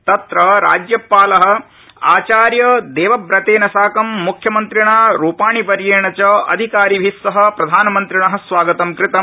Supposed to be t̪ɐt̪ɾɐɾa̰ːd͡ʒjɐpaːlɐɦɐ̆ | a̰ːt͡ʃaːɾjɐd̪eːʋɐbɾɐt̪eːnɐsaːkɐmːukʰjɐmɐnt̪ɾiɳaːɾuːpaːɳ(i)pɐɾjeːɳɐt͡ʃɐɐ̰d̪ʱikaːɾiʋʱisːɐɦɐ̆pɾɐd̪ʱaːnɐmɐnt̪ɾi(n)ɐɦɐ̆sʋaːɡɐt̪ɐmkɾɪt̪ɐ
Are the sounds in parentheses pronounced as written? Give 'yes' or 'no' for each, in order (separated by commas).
yes, no